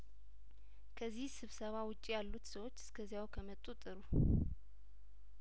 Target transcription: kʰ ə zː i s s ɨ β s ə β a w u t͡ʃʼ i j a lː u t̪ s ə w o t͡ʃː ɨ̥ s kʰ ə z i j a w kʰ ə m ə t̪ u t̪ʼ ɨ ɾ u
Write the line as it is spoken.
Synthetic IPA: kʰ ə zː i h s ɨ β s ə β a w ʊ t͡ʃʼ i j a lː u t̪ s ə w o t͡ʃː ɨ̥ s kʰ ə z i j a w kʰ ə m ə t̪ʼ u t̪ʼ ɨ ɾ u